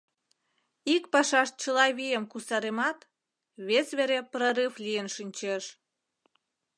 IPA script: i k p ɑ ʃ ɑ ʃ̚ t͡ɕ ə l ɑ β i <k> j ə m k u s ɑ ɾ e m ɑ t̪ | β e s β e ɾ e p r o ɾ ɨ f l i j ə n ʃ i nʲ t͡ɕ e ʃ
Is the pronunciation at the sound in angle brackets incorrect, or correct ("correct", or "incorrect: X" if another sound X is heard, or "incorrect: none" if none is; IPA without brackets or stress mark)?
incorrect: none